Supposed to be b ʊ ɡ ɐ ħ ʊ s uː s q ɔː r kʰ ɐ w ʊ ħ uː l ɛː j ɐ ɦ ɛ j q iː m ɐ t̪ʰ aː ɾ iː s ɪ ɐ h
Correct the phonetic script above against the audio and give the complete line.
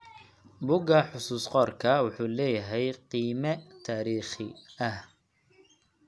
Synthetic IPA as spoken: b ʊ ɡ ɐ ħ ʊ s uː s q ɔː r kʰ ɐ w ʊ ħ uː l ɛː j ɐ ɦ ɛ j q iː m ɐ t̪ʰ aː ɾ iː χ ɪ ɐ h